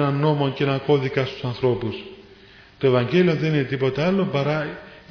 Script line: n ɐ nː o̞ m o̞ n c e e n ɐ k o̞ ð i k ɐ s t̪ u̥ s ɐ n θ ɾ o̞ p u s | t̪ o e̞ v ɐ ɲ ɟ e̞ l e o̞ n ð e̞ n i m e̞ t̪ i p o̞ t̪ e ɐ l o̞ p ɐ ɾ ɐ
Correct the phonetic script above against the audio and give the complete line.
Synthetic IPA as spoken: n ɐ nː o̞ m o̞ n c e e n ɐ k o̞ ð i k ɐ s t̪ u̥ s ɐ n θ ɾ o̞ p u s | t̪ o e̞ v ɐ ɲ ɟ e̞ l i o̞ n ð e̞ n i n e̞ t̪ i p o̞ t̪ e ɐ l o̞ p ɐ ɾ ɐ